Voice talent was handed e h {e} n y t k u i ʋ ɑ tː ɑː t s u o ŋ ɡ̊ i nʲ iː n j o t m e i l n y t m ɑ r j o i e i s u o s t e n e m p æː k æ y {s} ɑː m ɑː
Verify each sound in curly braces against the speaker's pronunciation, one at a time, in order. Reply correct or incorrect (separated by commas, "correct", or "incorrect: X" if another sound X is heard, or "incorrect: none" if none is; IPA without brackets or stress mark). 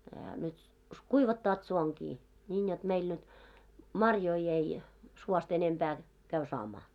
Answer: incorrect: æ, correct